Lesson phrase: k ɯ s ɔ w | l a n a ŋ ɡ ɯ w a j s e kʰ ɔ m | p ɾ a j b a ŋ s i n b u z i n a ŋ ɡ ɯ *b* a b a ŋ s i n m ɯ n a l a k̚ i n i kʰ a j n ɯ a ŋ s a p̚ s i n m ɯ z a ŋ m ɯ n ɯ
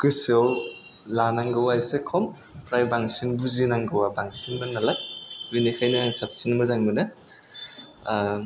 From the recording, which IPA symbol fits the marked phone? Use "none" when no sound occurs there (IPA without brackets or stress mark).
w